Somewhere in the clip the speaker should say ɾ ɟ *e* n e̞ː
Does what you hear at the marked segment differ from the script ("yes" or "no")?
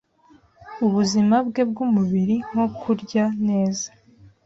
yes